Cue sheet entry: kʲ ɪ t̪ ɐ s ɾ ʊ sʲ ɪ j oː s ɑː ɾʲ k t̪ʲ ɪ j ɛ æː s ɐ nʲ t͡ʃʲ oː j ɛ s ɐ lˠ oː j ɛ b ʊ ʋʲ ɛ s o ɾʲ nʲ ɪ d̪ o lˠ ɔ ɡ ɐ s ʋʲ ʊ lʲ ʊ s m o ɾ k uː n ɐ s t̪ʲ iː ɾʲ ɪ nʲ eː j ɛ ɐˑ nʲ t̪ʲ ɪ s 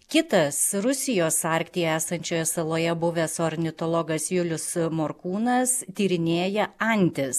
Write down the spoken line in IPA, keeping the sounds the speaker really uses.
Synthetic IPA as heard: kʲ ɪ t̪ ɐ s ɾ ʊ sʲ ɪ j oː s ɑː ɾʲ k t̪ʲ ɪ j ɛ æː s ɐ nʲ t͡ʃʲ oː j ɛ s ɐ lˠ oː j ɛ b ʊ ʋʲ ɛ s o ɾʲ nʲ ɪ t̪ o lˠ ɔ ɡ ɐ s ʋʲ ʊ lʲ ʊ s m o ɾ k uː n ɐ s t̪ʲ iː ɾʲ ɪ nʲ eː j ɛ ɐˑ nʲ t̪ʲ ɪ s